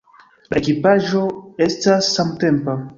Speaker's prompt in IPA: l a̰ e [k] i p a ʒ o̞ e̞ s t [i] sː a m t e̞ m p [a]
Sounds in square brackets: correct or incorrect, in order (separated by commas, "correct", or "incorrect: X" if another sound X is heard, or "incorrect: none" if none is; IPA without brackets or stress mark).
correct, incorrect: a, correct